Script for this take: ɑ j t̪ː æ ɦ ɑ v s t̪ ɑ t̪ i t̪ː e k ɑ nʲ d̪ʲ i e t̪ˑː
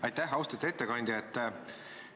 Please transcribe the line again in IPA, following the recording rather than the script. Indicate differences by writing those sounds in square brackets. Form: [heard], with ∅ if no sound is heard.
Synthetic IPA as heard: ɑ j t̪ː æ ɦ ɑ [w] s t̪ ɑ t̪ [e] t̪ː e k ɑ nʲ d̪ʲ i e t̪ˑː